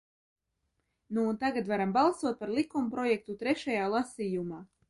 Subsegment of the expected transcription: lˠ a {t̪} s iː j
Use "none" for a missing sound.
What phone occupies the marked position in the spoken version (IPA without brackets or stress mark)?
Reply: none